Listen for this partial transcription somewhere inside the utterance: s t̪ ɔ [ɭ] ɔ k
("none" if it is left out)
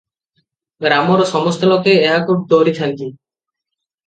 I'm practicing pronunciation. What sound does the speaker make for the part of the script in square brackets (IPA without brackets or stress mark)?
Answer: l